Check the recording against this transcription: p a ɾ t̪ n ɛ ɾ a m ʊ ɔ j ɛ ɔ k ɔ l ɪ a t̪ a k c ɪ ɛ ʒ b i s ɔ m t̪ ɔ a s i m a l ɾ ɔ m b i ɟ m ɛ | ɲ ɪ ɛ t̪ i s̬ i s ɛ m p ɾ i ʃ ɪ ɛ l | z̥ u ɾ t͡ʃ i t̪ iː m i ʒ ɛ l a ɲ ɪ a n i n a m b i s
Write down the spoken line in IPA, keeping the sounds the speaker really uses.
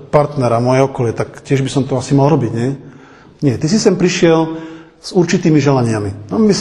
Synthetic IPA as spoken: p a ɾ t̪ n ɛ ɾ a m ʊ ɔ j ɛ ɔ k ɔ l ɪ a t̪ a k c ɪ ɛ ʒ b i s ɔ m t̪ ɔ a s i m a l ɾ ɔ b i ɟ ɲ ɛ | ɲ ɪ ɛ t̪ i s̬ i s ɛ m p ɾ i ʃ ɪ ɛ l | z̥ u ɾ t͡ʃ i t̪ iː m i ʒ ɛ l a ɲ ɪ a m i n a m b i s